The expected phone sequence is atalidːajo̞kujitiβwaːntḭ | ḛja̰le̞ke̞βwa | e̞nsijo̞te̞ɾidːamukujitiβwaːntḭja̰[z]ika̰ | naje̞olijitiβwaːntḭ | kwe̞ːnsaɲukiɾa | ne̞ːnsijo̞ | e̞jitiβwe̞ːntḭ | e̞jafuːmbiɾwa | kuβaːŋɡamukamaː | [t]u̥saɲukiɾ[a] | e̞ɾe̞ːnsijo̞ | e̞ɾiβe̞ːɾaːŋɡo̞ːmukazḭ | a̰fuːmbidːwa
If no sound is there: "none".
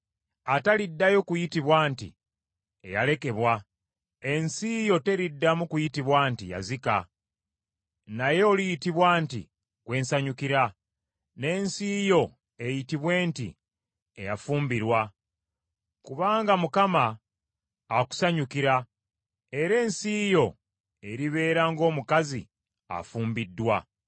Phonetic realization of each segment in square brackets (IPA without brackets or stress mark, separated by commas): z, k, a